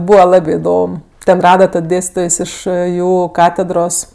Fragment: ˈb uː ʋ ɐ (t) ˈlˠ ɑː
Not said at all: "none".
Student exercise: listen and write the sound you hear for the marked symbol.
none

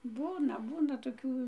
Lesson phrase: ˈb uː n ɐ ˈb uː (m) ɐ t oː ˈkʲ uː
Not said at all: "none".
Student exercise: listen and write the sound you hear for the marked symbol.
n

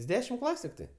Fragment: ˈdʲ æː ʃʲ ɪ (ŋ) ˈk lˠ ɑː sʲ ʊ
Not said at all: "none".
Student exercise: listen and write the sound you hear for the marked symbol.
m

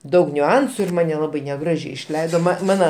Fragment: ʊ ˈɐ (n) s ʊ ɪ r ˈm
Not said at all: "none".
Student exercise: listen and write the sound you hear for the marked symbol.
n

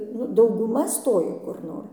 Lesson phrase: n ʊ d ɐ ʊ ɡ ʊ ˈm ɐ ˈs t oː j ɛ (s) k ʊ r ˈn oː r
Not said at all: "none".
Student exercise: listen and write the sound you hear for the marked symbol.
none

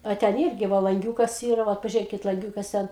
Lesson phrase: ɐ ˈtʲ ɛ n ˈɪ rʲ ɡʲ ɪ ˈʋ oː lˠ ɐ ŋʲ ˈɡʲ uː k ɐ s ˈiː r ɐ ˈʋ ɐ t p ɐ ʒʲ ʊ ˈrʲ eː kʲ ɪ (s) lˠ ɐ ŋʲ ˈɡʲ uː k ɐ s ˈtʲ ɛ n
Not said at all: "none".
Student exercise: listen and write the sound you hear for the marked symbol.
t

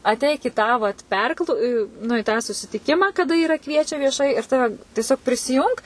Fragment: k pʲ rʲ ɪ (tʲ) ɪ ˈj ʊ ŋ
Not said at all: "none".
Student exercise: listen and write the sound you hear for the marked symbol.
sʲ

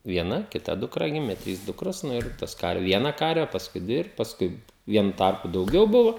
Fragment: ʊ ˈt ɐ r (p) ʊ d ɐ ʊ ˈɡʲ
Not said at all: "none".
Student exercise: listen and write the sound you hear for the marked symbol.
p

